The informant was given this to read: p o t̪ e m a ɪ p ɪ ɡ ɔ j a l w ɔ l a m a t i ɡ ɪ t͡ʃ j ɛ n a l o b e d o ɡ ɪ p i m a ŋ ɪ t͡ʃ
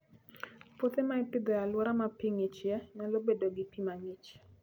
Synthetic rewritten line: p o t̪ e m a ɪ p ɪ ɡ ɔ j a l w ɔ ɾ a m a p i ŋ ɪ t͡ʃ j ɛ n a l o b e d o ɡ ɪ p i m a ŋ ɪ t͡ʃ